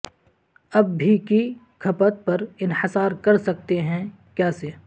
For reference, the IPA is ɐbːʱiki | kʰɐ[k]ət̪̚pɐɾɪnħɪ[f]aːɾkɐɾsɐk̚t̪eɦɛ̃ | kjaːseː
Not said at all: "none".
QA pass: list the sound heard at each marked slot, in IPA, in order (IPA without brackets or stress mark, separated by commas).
p, s